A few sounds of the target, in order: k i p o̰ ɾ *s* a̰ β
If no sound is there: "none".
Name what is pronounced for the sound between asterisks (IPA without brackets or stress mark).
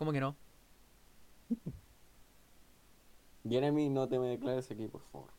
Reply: f